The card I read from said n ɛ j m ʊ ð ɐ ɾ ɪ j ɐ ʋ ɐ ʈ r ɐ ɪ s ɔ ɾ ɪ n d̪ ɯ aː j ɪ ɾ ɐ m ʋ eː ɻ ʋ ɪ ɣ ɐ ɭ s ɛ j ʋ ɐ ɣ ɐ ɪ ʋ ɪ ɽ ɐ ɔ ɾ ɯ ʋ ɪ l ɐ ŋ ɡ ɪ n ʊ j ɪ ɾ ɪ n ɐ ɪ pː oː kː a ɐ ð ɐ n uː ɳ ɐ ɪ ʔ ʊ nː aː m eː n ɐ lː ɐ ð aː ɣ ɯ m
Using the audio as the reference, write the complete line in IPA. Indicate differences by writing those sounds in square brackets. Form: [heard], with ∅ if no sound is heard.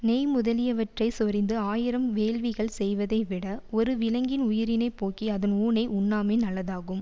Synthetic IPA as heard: n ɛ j m ʊ ð ɐ [l] ɪ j ɐ ʋ ɐ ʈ r ɐ ɪ s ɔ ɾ ɪ n d̪ ɯ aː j ɪ ɾ ɐ m ʋ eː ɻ ʋ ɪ ɣ ɐ ɭ s ɛ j ʋ ɐ [ð] ɐ ɪ ʋ ɪ ɽ ɐ ɔ ɾ ɯ ʋ ɪ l ɐ ŋ ɡ ɪ n ʊ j ɪ ɾ ɪ n ɐ ɪ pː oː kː [i] ɐ ð ɐ n uː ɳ ɐ ɪ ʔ ʊ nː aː m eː n ɐ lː ɐ ð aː ɣ ɯ m

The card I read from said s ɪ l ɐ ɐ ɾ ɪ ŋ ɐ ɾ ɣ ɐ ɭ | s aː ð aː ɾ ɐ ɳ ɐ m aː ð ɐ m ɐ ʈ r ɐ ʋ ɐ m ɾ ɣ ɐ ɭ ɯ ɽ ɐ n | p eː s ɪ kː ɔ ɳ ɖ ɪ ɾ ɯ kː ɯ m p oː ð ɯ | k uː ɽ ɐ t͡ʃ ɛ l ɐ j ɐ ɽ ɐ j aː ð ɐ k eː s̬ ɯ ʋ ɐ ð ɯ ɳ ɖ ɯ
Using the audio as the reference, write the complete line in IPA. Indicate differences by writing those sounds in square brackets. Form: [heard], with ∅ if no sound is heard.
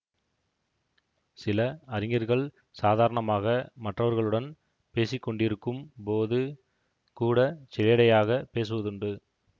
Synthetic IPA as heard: s ɪ l ɐ ɐ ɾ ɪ ŋ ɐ ɾ ɣ ɐ ɭ | s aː ð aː ɾ ɐ ɳ ɐ m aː [ɣ] ɐ m ɐ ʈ r ɐ ʋ ɐ [∅] ɾ ɣ ɐ ɭ ɯ ɽ ɐ n | p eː s ɪ kː ɔ ɳ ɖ ɪ ɾ ɯ kː ɯ m p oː ð ɯ | k uː ɽ ɐ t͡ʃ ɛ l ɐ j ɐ ɽ ɐ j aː [ɣ] ɐ [p] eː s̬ ɯ ʋ ɐ ð ɯ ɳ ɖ ɯ

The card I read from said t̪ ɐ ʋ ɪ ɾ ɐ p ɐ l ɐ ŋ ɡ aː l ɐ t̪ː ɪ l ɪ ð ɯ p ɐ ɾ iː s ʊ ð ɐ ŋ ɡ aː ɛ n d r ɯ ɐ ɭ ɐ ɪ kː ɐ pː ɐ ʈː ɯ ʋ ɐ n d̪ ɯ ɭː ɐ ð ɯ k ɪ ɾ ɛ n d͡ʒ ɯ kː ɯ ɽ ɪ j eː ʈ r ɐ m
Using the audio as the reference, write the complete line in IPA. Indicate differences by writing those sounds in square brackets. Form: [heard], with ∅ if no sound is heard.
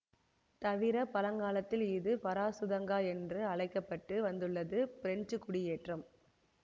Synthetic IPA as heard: t̪ ɐ ʋ ɪ ɾ ɐ p ɐ l ɐ ŋ ɡ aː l ɐ t̪ː ɪ l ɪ ð ɯ p ɐ ɾ [aː] s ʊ ð ɐ ŋ ɡ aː ɛ n d r ɯ ɐ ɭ ɐ ɪ kː ɐ pː ɐ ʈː ɯ ʋ ɐ n d̪ ɯ ɭː ɐ ð ɯ [p] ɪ ɾ ɛ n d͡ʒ ɯ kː [ʊ] ɽ ɪ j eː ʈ r ɐ m

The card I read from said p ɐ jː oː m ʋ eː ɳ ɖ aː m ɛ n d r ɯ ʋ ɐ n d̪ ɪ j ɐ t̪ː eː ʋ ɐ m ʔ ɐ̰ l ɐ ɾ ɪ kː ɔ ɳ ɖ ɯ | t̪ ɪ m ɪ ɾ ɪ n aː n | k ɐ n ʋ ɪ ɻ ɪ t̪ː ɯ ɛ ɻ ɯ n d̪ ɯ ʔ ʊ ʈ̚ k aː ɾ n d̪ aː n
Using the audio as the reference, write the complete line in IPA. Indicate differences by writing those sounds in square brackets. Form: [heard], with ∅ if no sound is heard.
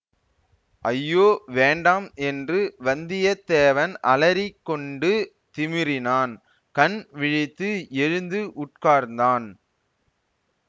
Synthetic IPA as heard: [ʔ] ɐ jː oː [∅] ʋ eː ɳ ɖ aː m ɛ n d r ɯ ʋ ɐ n d̪ ɪ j ɐ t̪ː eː ʋ ɐ [n] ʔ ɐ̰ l ɐ ɾ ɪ kː ɔ ɳ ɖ ɯ | t̪ ɪ m ɪ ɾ ɪ n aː n | k ɐ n ʋ ɪ ɻ ɪ t̪ː ɯ ɛ ɻ ɯ n d̪ ɯ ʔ ʊ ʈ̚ k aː ɾ n d̪ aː n

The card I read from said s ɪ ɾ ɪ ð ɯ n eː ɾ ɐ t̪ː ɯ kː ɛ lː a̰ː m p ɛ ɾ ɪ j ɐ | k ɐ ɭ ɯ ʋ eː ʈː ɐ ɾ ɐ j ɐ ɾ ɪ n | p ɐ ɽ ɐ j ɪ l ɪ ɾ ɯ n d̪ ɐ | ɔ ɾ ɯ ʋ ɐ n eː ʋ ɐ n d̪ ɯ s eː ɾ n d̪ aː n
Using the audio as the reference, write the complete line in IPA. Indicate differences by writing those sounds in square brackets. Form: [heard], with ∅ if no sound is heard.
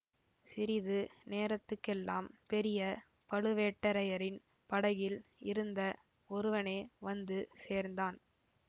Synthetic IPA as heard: s ɪ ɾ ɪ ð ɯ n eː ɾ ɐ t̪ː ɯ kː ɛ lː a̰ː m p ɛ ɾ ɪ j ɐ | [p] ɐ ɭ ɯ ʋ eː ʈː ɐ ɾ ɐ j ɐ ɾ ɪ n | p ɐ ɽ ɐ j ɪ l ɪ ɾ ɯ n d̪ ɐ | ɔ ɾ ɯ ʋ ɐ n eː ʋ ɐ n d̪ ɯ s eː ɾ n d̪ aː n

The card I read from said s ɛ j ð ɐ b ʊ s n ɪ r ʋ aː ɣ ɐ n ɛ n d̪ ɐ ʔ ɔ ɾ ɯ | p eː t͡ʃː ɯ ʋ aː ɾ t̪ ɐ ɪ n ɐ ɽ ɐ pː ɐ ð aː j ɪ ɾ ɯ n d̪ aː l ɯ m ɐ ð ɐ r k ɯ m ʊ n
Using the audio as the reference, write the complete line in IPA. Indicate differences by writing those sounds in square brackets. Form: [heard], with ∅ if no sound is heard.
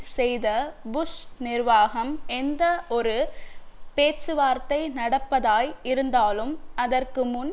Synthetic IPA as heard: s ɛ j ð ɐ b ʊ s n ɪ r ʋ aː ɣ ɐ [m] ɛ n d̪ ɐ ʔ ɔ ɾ ɯ | p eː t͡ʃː ɯ ʋ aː ɾ t̪ ɐ ɪ n ɐ ɽ ɐ pː ɐ ð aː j ɪ ɾ ɯ n d̪ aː l ɯ m ɐ ð ɐ r k ɯ m ʊ n

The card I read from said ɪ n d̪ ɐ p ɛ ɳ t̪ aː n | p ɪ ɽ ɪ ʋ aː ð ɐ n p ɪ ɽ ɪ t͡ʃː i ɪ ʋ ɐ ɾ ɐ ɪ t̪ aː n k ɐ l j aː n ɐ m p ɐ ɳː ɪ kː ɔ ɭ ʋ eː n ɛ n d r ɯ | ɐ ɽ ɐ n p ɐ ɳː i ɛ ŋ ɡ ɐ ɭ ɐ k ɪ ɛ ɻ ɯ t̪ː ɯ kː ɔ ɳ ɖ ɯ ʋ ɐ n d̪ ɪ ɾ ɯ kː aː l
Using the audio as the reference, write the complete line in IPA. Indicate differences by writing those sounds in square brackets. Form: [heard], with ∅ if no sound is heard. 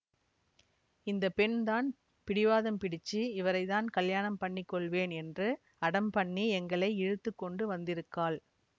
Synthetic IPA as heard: ɪ n d̪ ɐ p ɛ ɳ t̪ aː n | p ɪ ɽ ɪ ʋ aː ð ɐ [m] p ɪ ɽ ɪ t͡ʃː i ɪ ʋ ɐ ɾ ɐ ɪ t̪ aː n k ɐ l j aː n ɐ m p ɐ ɳː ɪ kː ɔ ɭ ʋ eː n ɛ n d r ɯ | ɐ ɽ ɐ [m] p ɐ ɳː i ɛ ŋ ɡ ɐ ɭ ɐ [∅] ɪ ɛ ɻ ɯ t̪ː ɯ kː ɔ ɳ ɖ ɯ ʋ ɐ n d̪ ɪ ɾ ɯ kː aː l

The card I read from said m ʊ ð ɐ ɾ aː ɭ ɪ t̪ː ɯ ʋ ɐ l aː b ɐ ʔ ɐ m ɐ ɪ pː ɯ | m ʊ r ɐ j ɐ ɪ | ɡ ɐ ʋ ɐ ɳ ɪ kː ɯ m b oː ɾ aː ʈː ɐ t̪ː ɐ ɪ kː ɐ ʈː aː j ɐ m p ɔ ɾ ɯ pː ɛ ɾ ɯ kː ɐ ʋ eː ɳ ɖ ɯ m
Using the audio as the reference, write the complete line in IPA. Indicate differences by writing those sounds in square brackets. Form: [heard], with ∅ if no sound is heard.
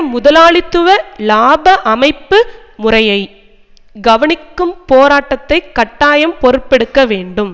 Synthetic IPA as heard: m ʊ ð ɐ [l] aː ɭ ɪ t̪ː ɯ ʋ ɐ l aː b ɐ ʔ ɐ m ɐ ɪ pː ɯ | m ʊ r ɐ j ɐ ɪ | ɡ ɐ ʋ ɐ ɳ ɪ kː ɯ m [p] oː ɾ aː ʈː ɐ t̪ː ɐ ɪ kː ɐ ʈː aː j ɐ m p ɔ ɾ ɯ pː ɛ [ɽ] ɯ kː ɐ ʋ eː ɳ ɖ ɯ m

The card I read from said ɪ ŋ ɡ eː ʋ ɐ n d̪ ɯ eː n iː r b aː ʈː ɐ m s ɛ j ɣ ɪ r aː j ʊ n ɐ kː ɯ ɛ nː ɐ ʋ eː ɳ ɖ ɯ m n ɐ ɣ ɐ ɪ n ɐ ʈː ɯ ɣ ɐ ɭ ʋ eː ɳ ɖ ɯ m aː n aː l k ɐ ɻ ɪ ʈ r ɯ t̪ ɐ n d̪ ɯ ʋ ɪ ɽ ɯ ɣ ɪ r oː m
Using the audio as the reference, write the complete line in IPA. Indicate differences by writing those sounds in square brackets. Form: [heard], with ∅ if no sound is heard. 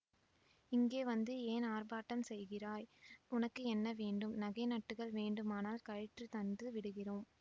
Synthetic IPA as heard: ɪ ŋ ɡ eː ʋ ɐ n d̪ ɯ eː n [aː] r b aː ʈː ɐ m s ɛ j ɣ ɪ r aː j ʊ n ɐ kː ɯ ɛ nː ɐ ʋ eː ɳ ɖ ɯ m n ɐ ɣ ɐ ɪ n ɐ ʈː ɯ ɣ ɐ ɭ ʋ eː ɳ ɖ ɯ m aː n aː l k ɐ ɻ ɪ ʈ r ɯ t̪ ɐ n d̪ ɯ ʋ ɪ ɽ ɯ ɣ ɪ r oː m

